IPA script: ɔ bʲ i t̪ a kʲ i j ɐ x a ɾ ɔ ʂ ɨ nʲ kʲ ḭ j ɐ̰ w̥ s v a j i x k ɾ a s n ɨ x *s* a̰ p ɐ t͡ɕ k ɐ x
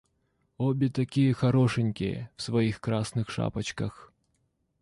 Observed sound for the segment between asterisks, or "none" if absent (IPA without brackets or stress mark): ʂ